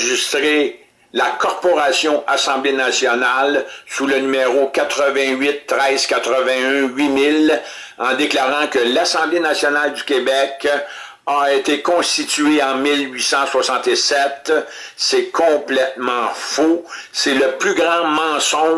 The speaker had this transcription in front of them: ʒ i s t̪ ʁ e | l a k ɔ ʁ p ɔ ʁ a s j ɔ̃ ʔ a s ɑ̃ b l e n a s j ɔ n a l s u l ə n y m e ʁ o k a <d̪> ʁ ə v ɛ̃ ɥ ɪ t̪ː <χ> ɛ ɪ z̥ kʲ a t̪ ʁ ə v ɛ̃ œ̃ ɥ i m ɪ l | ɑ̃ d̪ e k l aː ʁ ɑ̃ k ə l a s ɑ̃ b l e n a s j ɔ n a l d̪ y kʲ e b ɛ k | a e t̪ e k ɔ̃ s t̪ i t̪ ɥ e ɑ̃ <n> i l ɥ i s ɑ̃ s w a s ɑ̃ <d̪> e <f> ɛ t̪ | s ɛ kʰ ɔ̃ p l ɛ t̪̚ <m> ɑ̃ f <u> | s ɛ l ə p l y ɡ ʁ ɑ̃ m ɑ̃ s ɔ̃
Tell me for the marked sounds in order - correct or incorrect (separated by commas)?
incorrect, incorrect, incorrect, incorrect, incorrect, correct, incorrect